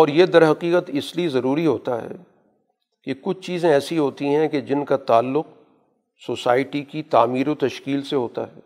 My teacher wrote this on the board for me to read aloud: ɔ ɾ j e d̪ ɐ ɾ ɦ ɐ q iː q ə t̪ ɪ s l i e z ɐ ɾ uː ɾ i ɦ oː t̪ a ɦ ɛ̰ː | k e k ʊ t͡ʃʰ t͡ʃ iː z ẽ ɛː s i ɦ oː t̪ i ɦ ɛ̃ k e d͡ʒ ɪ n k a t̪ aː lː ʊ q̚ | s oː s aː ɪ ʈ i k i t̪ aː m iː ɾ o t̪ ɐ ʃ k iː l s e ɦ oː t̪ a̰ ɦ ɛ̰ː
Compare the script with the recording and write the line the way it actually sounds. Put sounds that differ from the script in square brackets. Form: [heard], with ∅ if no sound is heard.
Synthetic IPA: [ɔː] ɾ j e d̪ ɐ ɾ ɦ ɐ q iː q ə t̪ ɪ s l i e z ɐ ɾ uː ɾ i ɦ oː t̪ a ɦ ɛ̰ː | k e k ʊ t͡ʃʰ t͡ʃ iː z ẽ ɛː s i ɦ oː t̪ i ɦ ɛ̃ k e d͡ʒ ɪ n k a t̪ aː lː ʊ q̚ | s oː s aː ɪ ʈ i k i t̪ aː m iː ɾ o t̪ ɐ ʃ k iː l s e ɦ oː t̪ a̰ ɦ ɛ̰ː